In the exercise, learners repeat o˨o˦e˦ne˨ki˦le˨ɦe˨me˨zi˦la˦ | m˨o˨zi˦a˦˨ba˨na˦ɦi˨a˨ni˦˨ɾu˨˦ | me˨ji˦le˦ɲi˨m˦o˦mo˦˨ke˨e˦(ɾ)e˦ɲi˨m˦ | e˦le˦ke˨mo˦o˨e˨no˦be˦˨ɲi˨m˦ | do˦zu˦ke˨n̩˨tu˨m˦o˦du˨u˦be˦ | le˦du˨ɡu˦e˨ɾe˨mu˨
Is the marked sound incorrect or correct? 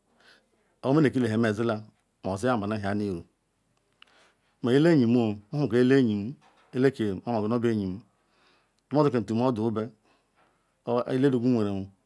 incorrect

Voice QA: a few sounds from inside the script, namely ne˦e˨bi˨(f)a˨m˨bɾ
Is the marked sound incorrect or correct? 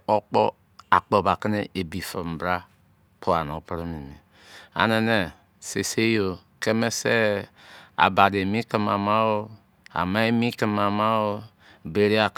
correct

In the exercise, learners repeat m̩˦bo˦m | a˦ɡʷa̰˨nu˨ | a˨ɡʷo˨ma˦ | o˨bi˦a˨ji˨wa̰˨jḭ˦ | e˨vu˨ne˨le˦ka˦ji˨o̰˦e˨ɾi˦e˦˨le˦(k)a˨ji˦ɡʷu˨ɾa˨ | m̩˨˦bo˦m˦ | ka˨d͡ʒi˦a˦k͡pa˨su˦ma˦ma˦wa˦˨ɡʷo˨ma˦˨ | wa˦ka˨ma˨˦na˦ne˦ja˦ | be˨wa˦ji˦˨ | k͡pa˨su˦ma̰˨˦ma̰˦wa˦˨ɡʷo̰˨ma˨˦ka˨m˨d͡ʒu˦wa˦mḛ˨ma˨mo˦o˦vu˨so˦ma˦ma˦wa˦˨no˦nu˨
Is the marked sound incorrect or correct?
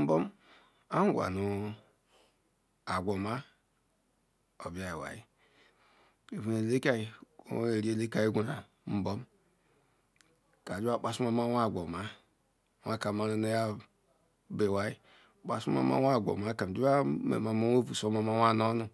correct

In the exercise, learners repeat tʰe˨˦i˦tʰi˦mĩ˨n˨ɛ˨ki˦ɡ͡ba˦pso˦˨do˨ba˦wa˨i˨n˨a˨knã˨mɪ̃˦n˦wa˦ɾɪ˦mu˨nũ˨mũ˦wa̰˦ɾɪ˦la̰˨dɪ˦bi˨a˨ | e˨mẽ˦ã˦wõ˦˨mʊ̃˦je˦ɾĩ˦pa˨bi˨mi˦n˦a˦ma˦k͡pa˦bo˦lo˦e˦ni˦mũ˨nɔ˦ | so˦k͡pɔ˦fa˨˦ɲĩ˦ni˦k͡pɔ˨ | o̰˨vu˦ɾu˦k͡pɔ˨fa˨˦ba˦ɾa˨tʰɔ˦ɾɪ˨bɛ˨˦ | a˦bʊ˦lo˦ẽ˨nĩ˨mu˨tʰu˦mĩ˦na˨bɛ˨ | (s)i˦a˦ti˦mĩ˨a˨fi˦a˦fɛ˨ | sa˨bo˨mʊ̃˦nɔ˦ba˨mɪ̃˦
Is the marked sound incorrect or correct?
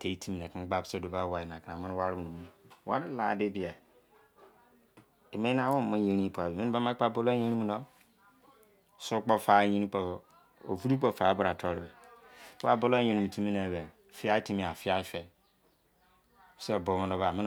incorrect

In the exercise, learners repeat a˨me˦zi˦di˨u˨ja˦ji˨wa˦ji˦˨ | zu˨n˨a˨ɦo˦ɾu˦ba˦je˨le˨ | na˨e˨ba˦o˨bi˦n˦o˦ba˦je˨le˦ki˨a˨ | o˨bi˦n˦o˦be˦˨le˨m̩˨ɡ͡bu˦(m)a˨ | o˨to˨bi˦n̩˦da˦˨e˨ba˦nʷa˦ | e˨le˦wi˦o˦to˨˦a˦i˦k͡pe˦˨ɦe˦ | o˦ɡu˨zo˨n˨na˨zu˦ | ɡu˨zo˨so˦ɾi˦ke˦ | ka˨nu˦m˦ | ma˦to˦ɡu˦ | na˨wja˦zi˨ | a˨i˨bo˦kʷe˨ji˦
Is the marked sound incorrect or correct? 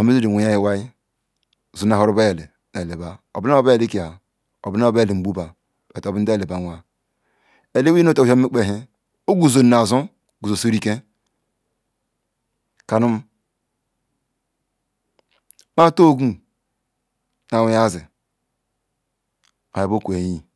incorrect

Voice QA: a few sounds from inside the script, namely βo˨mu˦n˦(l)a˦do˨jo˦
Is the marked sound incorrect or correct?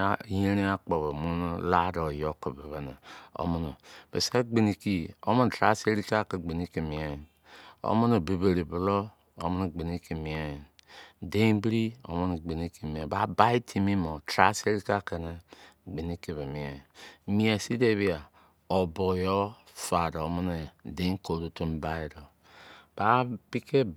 correct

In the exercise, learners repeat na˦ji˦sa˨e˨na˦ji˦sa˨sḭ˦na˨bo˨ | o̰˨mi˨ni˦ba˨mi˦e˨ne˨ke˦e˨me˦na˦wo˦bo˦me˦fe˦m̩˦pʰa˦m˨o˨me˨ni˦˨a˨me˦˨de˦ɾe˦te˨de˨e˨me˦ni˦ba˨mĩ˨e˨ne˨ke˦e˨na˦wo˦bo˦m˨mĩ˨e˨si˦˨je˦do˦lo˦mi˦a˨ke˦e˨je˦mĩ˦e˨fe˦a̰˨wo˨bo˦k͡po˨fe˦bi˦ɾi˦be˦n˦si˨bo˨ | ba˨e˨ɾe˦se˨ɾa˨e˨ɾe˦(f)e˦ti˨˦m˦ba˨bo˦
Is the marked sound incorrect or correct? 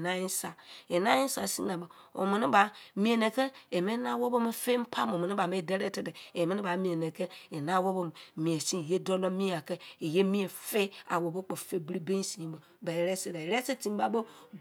incorrect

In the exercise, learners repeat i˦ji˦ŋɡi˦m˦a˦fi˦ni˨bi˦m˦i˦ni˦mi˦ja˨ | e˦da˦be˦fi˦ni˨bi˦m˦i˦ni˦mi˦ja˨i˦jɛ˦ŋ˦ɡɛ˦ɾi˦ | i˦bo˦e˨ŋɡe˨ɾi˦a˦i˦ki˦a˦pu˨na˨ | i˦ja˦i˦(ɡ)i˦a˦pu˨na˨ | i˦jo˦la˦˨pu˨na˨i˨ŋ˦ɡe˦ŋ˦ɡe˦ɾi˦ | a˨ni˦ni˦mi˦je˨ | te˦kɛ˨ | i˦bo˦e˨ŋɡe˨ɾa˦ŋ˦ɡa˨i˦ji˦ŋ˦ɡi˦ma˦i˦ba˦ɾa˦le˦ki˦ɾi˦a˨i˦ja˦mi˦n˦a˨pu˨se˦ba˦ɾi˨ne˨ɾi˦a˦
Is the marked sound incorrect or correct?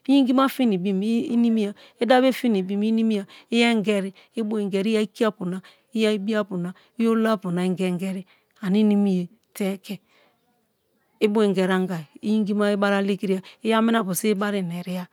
incorrect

